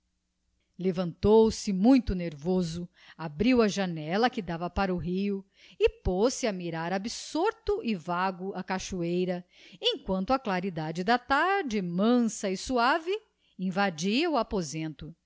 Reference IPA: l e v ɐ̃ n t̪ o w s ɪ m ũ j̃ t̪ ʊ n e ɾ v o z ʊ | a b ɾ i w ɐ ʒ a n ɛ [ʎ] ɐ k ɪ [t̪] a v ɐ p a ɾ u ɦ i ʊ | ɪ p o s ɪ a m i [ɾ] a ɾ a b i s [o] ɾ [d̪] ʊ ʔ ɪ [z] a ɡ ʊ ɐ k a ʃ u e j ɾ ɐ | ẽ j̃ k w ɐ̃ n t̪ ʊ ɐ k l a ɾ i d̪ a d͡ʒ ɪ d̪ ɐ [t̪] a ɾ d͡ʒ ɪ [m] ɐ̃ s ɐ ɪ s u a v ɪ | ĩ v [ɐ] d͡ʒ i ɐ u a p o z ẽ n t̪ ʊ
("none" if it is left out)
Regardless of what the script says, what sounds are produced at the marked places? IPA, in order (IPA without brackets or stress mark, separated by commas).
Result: l, d̪, ɾ, o, t̪, v, t̪, m, a